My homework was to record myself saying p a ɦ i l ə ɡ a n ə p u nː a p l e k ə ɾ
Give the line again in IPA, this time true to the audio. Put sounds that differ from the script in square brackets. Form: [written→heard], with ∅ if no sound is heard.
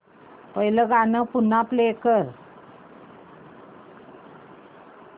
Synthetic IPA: p [a→ə] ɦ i l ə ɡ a n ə p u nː a p l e k ə ɾ